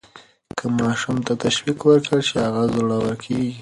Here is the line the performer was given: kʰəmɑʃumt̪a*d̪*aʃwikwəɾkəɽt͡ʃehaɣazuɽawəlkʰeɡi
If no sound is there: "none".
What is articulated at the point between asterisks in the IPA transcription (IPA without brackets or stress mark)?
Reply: t̪